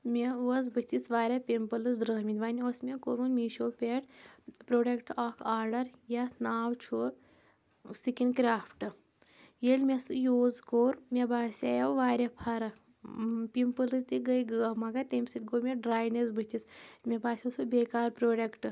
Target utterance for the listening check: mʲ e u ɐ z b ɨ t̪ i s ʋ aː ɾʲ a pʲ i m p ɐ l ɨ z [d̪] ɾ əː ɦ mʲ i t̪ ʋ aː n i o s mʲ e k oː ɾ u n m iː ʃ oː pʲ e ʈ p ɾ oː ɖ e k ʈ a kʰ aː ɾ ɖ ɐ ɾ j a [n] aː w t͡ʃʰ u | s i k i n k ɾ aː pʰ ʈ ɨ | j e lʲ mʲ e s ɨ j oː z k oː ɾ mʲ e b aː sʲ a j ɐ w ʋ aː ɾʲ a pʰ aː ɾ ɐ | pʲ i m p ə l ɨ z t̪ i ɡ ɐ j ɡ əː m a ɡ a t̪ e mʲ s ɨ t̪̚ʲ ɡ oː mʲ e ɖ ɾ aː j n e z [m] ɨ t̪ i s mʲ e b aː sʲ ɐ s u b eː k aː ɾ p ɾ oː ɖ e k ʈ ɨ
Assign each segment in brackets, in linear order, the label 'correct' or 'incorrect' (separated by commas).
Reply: correct, correct, incorrect